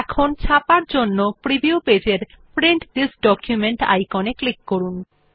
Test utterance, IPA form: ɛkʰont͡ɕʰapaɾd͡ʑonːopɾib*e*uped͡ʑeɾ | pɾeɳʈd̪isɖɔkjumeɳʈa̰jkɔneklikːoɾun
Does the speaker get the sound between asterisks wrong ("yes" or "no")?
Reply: yes